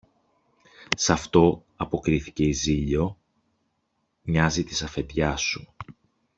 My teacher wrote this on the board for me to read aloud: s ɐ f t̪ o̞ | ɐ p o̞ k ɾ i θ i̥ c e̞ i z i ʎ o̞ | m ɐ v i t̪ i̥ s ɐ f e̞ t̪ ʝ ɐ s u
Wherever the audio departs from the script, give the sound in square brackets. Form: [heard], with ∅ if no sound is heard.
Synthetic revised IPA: s ɐ f t̪ o̞ | ɐ p o̞ k ɾ i θ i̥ c e̞ i z i ʎ o̞ | [ɲ] ɐ [z] i t̪ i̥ s ɐ f e̞ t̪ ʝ ɐ s u